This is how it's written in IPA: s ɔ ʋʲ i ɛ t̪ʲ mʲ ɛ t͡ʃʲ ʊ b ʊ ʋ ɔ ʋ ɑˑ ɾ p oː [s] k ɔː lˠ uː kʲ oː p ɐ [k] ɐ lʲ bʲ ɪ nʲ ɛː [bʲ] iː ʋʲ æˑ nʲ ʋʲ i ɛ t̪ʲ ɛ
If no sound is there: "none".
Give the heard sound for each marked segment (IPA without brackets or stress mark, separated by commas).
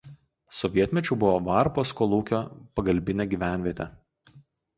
s, ɡ, ɡʲ